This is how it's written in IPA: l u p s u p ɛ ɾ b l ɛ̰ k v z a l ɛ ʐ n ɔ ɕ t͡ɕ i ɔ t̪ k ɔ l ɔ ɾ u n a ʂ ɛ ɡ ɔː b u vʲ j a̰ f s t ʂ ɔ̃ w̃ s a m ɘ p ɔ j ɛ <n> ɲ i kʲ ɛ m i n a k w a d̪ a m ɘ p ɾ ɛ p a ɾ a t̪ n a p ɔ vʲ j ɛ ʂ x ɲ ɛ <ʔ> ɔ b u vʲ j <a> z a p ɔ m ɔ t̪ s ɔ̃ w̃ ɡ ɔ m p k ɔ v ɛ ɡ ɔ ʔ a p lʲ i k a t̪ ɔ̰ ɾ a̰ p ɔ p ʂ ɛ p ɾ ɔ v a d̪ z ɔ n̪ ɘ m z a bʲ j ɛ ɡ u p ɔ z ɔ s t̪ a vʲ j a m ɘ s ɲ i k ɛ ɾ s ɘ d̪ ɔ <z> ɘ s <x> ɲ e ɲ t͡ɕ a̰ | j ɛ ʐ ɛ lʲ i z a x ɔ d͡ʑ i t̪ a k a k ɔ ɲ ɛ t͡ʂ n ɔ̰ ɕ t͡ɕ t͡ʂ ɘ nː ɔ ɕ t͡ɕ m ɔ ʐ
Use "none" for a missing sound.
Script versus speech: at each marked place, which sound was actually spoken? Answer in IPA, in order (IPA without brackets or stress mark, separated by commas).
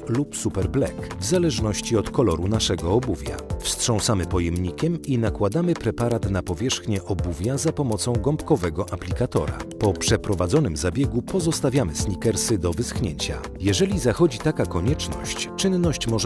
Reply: m, ʔ, a, v, x